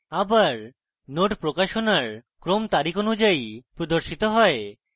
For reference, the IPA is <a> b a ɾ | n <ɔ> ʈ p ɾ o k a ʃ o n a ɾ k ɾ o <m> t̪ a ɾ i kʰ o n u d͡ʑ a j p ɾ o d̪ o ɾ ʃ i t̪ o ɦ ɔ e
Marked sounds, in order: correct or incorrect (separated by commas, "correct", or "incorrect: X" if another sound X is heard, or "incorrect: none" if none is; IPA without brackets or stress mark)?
correct, incorrect: o, correct